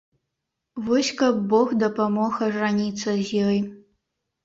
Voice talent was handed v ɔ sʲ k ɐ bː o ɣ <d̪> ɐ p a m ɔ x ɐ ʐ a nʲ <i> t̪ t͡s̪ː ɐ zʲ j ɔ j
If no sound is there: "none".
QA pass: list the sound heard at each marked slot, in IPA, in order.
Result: d̪, i

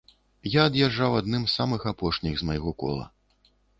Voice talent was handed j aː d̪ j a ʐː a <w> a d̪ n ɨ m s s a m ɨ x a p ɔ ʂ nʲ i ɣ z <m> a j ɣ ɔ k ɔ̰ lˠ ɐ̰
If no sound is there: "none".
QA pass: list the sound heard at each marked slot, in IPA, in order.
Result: w, m

